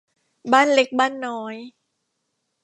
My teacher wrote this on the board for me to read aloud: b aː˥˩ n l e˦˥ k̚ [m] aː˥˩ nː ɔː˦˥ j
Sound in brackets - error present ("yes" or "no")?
yes